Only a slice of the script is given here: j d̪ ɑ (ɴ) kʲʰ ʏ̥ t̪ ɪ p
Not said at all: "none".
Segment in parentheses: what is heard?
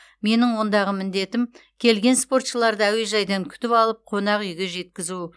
ŋ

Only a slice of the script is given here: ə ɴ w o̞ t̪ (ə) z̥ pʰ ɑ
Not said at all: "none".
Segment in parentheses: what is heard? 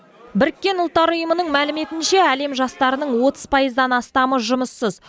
ə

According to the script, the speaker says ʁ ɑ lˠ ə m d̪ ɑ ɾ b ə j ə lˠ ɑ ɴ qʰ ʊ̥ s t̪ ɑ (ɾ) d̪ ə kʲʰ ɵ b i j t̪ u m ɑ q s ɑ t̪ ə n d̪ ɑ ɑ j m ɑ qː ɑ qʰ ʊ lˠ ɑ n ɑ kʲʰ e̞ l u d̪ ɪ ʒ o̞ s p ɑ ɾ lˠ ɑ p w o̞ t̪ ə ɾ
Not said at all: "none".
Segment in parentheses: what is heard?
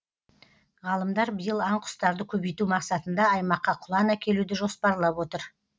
ɾ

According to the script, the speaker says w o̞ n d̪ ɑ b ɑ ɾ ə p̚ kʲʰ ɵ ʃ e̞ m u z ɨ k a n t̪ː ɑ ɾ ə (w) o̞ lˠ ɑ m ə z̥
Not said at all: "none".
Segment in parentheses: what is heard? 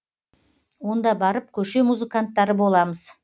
b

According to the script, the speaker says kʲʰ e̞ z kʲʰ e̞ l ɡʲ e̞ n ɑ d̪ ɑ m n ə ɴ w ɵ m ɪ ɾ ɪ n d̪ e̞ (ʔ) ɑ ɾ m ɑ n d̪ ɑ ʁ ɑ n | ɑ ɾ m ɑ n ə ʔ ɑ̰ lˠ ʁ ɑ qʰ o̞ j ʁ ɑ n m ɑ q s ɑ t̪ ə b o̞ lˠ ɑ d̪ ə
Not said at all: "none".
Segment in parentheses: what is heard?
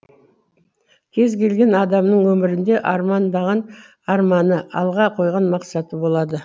ʔ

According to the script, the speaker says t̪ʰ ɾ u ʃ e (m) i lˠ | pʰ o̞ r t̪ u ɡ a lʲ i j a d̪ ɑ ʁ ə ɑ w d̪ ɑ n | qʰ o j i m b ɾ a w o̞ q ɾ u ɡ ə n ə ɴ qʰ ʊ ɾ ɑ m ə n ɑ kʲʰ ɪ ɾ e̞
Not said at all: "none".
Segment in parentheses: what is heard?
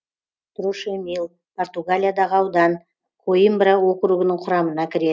m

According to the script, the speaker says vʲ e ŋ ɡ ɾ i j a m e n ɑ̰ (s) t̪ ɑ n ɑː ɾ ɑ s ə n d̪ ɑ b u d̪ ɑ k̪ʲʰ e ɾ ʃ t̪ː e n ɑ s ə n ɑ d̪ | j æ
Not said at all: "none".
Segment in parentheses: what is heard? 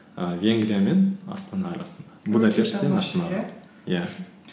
s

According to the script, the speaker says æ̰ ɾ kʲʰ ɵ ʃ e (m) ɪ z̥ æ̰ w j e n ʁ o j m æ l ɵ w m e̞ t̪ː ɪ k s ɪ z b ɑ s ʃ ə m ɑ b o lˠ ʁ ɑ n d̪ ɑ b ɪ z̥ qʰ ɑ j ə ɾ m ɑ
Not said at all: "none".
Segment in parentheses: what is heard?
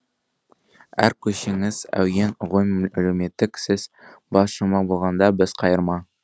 ŋ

